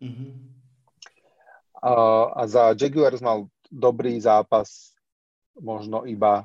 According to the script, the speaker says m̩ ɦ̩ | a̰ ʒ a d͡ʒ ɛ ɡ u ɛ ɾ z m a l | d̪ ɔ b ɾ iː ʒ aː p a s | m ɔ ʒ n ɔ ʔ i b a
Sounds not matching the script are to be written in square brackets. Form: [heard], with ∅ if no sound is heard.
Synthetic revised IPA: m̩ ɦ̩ | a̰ [z] a d͡ʒ ɛ ɡ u ɛ ɾ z m a l | d̪ ɔ b ɾ iː [z] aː p a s | m ɔ ʒ n ɔ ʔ i b a